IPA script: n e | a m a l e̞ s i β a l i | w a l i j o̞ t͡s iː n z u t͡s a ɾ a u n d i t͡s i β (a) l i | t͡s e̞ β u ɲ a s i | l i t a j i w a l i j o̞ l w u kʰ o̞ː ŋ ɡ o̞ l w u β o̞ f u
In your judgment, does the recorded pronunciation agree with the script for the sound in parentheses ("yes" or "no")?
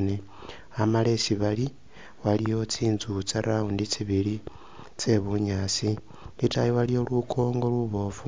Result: no